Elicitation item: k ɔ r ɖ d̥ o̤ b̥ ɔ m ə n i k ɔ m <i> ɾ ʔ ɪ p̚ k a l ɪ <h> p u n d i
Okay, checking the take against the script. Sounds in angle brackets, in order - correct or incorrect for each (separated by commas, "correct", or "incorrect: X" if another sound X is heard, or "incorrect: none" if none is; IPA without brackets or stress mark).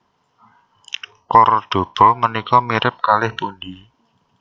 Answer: correct, correct